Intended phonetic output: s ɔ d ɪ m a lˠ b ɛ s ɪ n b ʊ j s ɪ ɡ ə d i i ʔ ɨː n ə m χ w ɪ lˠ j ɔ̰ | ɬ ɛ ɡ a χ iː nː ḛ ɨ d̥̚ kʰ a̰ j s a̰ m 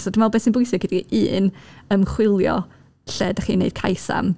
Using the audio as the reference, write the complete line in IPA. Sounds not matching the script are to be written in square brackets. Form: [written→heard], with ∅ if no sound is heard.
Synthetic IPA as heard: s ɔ d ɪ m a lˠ b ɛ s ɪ n b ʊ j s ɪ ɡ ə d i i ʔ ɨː n ə m χ w ɪ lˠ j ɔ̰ | ɬ ɛ [ɡ→d] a χ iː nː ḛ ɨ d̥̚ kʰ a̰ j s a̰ m